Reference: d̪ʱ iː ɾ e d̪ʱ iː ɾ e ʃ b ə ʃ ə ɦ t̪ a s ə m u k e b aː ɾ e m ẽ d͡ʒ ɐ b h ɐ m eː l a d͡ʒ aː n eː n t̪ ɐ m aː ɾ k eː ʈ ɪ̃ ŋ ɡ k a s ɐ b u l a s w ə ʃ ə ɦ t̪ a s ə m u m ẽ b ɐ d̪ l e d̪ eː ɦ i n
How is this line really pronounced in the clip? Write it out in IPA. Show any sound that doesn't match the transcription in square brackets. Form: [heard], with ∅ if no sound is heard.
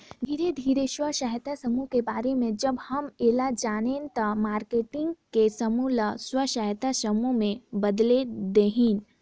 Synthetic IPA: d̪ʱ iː ɾ e d̪ʱ iː ɾ e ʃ [w] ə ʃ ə ɦ t̪ a s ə m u k e b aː ɾ e m ẽ d͡ʒ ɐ b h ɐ m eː l a d͡ʒ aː n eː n t̪ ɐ m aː ɾ k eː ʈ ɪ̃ ŋ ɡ k [e] s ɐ [m] u l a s w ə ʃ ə ɦ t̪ a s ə m u m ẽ b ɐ d̪ l e d̪ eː ɦ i n